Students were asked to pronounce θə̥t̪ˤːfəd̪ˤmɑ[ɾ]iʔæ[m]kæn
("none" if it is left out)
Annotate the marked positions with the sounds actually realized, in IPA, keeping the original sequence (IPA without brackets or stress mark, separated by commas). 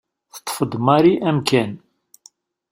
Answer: ɾ, m